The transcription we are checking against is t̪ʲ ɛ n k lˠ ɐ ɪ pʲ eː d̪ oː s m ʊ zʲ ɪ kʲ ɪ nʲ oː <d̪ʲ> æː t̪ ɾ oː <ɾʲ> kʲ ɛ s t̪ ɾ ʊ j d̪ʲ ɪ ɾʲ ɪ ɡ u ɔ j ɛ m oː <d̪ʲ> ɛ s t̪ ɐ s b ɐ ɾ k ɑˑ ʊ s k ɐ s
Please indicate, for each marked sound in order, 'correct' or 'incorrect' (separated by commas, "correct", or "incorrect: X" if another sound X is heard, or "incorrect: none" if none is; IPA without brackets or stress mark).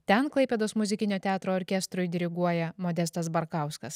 incorrect: t̪ʲ, correct, correct